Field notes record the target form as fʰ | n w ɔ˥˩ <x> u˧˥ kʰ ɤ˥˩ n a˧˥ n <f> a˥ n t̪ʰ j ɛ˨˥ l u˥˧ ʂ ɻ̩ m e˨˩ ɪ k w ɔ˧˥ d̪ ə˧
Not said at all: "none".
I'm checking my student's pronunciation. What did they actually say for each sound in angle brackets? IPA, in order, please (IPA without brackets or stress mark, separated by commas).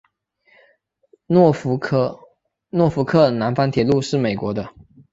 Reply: f, f